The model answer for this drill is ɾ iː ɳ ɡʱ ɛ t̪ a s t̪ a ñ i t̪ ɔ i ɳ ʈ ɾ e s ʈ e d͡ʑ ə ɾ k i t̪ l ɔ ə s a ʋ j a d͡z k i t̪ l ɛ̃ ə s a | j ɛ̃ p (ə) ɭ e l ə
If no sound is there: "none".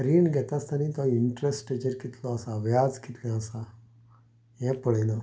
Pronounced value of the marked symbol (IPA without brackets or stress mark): ə